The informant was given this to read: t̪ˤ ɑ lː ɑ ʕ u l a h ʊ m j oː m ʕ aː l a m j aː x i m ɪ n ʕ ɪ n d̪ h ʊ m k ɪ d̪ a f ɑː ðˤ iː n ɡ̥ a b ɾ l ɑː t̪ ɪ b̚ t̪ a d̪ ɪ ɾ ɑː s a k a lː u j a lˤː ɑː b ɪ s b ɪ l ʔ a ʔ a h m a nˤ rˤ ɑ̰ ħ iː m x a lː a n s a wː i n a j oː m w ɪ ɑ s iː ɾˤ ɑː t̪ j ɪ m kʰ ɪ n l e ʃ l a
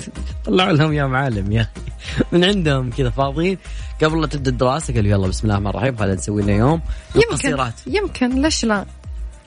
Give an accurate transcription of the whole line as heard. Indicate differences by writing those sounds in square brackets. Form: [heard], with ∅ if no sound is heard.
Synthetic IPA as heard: t̪ˤ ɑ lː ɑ ʕ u l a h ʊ m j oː m ʕ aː l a m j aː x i m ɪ n ʕ ɪ n d̪ h ʊ m k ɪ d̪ a f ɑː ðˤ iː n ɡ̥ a b ɾ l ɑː t̪ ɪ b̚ [d̪] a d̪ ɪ ɾ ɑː s a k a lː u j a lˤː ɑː b ɪ s [m] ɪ l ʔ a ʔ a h m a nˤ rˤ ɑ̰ ħ iː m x a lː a n s a wː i n a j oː m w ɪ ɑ s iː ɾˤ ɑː t̪ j ɪ m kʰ ɪ n l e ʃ l a